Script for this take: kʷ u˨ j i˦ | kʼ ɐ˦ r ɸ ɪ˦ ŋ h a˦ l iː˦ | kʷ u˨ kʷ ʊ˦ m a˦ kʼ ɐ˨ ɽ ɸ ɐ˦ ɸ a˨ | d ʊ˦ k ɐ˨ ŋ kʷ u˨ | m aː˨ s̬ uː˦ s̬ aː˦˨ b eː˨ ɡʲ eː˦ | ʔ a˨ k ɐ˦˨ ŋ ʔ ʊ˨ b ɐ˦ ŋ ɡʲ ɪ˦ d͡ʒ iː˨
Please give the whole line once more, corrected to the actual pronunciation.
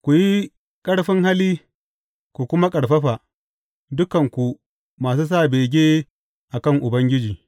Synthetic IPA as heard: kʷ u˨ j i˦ | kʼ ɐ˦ ɽ ɸ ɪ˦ ŋ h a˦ l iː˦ | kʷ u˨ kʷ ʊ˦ m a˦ kʼ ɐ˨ ɽ ɸ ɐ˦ ɸ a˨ | d ʊ˦ k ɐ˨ ŋ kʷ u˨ | m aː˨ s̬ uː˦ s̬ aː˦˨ b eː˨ ɡʲ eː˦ | ʔ a˨ k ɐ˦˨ ŋ ʔ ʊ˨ b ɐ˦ ŋ ɡʲ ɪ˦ d͡ʒ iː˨